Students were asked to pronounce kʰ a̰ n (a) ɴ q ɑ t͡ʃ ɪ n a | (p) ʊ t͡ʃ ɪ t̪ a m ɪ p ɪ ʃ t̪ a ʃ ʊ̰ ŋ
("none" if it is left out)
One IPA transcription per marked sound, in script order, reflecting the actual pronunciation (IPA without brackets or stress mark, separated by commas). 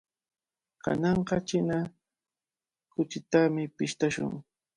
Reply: ɑ, k